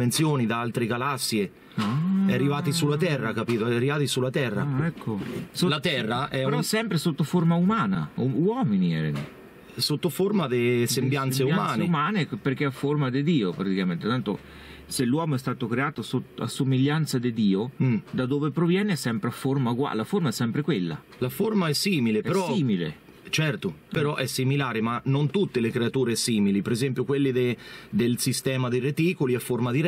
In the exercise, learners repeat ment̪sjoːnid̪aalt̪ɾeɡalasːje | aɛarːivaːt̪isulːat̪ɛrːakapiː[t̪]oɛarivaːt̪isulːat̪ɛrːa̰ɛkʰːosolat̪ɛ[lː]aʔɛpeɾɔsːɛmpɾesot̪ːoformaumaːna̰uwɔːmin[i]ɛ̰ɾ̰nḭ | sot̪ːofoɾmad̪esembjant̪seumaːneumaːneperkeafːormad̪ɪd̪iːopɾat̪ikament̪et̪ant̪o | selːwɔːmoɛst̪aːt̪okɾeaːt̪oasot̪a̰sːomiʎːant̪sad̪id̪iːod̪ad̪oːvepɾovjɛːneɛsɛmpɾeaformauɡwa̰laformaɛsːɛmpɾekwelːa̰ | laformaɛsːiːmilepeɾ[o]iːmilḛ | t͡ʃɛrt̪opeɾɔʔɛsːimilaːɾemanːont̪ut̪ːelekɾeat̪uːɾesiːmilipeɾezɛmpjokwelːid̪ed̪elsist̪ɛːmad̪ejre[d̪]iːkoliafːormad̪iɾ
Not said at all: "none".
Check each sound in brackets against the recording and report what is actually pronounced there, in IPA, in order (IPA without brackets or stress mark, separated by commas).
t̪, rː, i, ɔ, t̪